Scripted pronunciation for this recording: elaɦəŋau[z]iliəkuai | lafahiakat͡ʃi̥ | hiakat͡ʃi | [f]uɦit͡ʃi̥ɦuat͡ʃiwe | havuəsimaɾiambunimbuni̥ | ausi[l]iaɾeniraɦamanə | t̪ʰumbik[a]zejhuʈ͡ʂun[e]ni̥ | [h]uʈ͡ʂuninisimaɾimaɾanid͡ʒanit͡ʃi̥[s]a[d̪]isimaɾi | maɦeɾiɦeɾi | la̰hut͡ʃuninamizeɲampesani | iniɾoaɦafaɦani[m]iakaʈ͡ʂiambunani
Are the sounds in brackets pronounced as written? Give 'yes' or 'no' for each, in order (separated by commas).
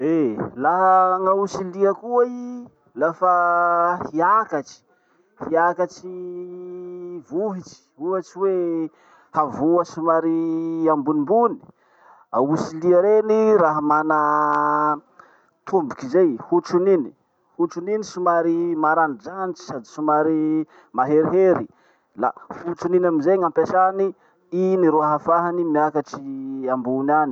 no, no, yes, no, no, yes, yes, yes, yes